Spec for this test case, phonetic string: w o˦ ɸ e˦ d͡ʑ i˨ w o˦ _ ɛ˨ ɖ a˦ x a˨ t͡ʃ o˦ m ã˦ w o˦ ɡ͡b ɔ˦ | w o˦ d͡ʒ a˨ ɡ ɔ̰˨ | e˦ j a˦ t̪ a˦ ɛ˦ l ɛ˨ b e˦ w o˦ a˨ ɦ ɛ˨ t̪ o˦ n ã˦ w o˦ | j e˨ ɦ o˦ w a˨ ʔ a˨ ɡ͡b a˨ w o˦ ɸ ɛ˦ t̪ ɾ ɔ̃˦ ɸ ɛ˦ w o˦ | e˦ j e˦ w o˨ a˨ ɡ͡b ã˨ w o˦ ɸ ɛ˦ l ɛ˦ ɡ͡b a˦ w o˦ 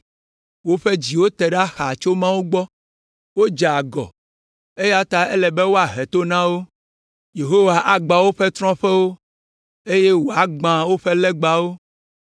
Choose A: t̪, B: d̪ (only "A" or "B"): A